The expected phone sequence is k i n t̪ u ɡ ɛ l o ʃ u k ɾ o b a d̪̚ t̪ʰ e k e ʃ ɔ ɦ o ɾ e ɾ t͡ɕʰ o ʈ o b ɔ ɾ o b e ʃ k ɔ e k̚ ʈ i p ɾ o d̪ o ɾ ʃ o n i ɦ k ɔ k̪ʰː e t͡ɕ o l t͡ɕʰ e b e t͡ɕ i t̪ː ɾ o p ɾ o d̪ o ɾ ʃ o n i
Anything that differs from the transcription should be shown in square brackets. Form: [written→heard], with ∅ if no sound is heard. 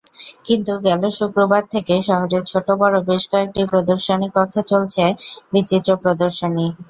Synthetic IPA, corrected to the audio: k i n t̪ u ɡ ɛ l o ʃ u k ɾ o b a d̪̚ t̪ʰ e k e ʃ ɔ ɦ o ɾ e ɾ t͡ɕʰ o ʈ o b ɔ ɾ o b e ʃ k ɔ e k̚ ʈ i p ɾ o d̪ o ɾ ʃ o n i [ɦ→∅] k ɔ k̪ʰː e t͡ɕ o l t͡ɕʰ e b [e→i] t͡ɕ i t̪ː ɾ o p ɾ o d̪ o ɾ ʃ o n i